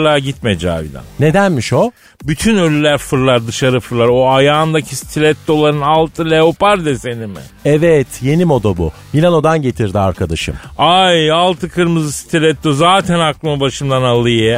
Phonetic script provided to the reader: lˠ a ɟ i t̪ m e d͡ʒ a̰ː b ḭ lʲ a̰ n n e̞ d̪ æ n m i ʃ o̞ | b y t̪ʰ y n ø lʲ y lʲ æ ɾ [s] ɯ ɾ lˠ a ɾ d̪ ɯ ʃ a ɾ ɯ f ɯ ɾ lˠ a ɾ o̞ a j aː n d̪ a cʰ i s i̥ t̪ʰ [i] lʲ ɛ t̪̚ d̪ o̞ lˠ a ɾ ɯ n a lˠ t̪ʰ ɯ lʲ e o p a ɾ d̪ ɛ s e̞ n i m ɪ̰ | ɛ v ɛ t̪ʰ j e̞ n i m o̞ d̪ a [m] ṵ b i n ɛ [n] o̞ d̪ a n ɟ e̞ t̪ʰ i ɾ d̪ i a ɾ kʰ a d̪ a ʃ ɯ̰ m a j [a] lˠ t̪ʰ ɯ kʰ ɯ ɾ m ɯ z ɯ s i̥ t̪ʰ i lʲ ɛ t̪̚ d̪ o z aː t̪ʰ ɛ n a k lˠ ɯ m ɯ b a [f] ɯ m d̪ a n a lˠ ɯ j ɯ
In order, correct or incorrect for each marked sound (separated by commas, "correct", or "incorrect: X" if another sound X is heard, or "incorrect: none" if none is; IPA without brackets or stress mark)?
incorrect: f, correct, incorrect: b, correct, correct, incorrect: ʃ